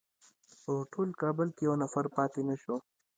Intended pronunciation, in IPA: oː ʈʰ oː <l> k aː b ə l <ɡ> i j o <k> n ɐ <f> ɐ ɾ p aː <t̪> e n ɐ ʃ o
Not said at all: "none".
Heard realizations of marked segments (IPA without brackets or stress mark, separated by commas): l, k, none, f, t̪